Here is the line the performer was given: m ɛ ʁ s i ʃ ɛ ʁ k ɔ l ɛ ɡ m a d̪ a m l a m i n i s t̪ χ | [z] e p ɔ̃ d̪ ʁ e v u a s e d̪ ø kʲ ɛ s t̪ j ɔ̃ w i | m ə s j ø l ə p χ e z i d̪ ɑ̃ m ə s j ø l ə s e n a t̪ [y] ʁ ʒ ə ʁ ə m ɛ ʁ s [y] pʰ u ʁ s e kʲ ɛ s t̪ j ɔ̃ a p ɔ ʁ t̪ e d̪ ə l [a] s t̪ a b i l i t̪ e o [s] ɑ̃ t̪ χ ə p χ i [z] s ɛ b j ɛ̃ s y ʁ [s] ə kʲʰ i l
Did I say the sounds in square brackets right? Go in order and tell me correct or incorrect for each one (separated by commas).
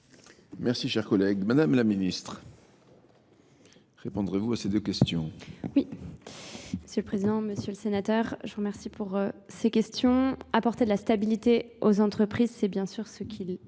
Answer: incorrect, incorrect, incorrect, correct, incorrect, correct, correct